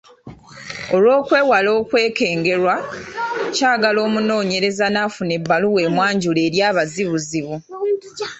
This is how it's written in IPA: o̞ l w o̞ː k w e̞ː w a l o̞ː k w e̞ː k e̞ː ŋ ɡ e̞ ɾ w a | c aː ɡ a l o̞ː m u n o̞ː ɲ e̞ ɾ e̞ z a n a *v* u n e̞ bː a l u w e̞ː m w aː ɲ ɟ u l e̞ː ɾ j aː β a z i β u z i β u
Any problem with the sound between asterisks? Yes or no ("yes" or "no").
yes